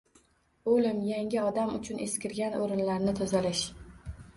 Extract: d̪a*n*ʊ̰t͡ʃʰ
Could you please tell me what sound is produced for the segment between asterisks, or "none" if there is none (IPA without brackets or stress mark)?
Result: m